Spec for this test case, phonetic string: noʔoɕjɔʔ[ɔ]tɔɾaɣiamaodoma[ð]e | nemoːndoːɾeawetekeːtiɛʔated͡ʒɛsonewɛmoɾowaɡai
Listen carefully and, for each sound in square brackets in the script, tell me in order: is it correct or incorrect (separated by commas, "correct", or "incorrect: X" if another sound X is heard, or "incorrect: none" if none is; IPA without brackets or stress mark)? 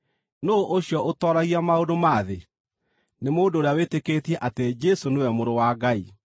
incorrect: o, correct